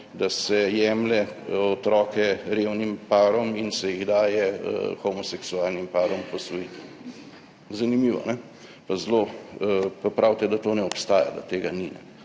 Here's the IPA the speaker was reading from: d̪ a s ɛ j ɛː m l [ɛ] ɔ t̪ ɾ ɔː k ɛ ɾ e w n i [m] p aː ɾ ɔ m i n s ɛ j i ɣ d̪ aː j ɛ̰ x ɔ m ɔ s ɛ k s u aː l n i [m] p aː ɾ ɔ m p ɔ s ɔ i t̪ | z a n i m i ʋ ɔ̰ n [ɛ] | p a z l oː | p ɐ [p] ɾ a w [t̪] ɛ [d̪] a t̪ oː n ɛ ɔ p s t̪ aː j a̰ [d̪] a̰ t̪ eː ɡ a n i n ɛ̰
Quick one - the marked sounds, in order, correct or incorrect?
correct, correct, correct, correct, correct, correct, correct, correct

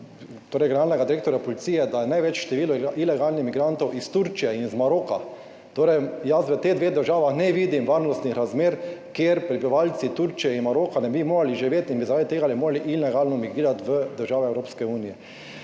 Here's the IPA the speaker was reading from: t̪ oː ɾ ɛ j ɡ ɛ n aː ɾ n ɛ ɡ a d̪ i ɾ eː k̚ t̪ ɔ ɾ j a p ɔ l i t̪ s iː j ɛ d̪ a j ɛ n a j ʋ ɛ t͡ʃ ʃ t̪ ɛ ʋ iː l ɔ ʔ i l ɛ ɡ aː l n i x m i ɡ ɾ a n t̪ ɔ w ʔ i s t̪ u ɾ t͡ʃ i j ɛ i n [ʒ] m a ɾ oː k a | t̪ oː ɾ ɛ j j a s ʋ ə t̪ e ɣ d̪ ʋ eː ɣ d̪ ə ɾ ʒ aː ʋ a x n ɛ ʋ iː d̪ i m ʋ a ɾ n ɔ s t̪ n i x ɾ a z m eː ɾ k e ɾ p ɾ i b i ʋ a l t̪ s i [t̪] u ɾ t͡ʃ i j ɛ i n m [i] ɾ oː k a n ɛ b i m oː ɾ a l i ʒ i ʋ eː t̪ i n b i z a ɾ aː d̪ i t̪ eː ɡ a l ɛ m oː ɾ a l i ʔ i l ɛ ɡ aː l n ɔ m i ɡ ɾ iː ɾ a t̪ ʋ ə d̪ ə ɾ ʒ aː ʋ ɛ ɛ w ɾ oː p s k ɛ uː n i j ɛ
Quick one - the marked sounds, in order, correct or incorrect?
incorrect, correct, incorrect

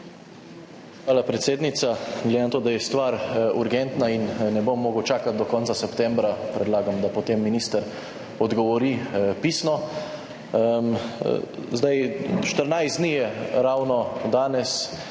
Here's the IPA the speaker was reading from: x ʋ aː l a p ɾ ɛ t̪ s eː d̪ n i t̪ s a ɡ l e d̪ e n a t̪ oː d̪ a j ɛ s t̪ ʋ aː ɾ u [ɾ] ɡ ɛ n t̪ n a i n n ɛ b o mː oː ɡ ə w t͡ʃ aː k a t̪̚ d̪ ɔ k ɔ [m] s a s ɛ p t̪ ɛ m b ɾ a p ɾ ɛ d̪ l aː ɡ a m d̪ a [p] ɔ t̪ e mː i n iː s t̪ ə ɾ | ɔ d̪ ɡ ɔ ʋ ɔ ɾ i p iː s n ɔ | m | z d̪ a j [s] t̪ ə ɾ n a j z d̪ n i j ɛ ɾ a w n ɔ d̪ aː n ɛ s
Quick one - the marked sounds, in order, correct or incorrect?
correct, incorrect, correct, incorrect

